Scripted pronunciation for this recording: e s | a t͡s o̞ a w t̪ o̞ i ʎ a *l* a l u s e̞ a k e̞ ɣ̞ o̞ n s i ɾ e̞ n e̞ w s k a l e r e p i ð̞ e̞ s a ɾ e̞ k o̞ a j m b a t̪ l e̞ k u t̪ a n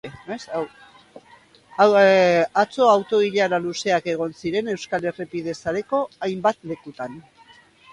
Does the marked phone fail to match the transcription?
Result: yes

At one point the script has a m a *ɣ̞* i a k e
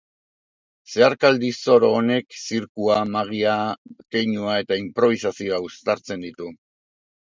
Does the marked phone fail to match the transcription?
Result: no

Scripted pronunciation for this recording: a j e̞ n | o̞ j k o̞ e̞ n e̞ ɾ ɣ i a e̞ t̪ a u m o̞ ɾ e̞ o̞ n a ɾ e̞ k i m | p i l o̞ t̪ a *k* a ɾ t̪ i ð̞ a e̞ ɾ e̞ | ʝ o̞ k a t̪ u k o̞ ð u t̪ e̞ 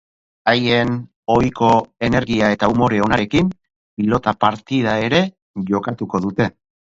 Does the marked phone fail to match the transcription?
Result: yes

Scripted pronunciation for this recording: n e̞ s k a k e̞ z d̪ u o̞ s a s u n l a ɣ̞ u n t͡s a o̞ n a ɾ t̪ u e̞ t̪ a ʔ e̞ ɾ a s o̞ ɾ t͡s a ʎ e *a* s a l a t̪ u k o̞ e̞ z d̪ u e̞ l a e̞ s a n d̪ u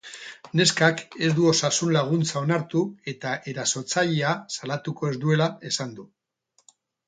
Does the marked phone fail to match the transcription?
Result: no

